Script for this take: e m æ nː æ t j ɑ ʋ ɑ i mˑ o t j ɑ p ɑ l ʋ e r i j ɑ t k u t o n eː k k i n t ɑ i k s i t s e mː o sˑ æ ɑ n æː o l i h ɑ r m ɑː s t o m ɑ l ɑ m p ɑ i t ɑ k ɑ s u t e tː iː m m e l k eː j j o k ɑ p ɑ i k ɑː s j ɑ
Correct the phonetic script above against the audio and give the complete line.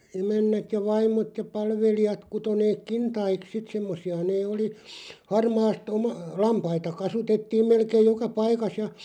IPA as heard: e m æ nː æ t j ɑ ʋ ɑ i mˑ o t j ɑ p ɑ l ʋ e l i j ɑ t k u t o n eː k k i n t ɑ i k s i t s e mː o sˑ i ɑ n eː o l i h ɑ r m ɑː s t o m ɑ l ɑ m p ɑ i t ɑ k ɑ s u t e tː iː m m e l k eː j j o k ɑ p ɑ i k ɑ s j ɑ